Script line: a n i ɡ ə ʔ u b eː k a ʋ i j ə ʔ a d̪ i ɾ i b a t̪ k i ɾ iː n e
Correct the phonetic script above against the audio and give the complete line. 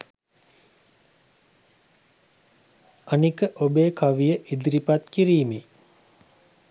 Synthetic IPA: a n i k ə ʔ o b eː k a ʋ i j ə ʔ i d̪ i ɾ i p a t̪ k i ɾ iː m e